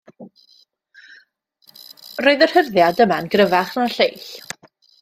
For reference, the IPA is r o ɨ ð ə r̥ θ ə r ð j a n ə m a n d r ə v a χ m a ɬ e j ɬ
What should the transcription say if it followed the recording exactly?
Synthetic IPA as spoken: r o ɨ ð ə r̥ h ə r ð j a d ə m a n ɡ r ə v a χ n a ɬ e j ɬ